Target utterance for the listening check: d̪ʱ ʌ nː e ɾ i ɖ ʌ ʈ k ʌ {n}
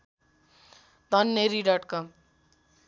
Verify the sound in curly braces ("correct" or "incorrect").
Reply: incorrect